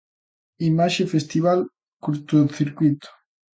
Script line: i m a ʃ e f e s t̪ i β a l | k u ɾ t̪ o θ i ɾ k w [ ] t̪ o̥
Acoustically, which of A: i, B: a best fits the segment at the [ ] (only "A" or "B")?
A